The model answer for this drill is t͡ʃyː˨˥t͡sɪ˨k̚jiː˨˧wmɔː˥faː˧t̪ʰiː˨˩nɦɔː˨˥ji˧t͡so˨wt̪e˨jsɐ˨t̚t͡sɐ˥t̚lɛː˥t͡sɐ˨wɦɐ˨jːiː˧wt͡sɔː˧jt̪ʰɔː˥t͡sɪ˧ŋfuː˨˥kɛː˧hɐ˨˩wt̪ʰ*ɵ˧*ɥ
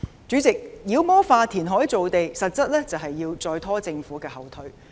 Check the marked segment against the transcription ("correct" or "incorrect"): incorrect